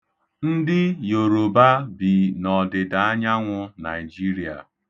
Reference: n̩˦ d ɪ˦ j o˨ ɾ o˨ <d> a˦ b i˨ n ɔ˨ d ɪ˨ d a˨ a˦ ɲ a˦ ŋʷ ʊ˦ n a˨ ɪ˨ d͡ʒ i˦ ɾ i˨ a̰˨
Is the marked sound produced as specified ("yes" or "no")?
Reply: no